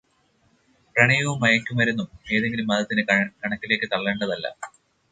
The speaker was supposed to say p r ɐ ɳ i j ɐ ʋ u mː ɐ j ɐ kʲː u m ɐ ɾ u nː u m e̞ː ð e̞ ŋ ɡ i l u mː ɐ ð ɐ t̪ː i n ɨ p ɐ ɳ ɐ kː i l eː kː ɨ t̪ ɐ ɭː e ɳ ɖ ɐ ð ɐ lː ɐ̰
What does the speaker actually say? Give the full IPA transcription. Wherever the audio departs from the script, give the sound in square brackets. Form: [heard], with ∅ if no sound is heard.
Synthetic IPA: p r ɐ ɳ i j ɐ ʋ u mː ɐ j ɐ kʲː u m ɐ ɾ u nː u m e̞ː ð e̞ ŋ ɡ i l u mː ɐ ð ɐ t̪ː i n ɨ [k] ɐ ɳ ɐ kː i l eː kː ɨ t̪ ɐ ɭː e ɳ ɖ ɐ ð ɐ lː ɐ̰